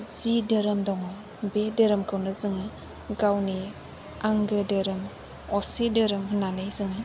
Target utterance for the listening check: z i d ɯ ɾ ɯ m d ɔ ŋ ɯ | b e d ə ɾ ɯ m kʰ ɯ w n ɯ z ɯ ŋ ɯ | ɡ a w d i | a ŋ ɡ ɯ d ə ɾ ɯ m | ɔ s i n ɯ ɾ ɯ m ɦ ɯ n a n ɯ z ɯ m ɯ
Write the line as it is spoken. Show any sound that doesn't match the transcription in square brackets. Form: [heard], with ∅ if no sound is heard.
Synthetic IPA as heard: z i d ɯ ɾ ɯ m d ɔ ŋ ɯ | b e d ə ɾ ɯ m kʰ ɯ w n ɯ z ɯ ŋ ɯ | ɡ a w [n] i | a ŋ ɡ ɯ d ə ɾ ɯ m | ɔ s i [d] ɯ ɾ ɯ m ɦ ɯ n a n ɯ z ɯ [ŋ] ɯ